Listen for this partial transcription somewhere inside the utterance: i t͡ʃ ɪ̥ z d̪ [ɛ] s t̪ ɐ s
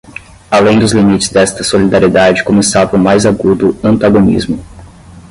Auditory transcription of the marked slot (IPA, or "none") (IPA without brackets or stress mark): ɛ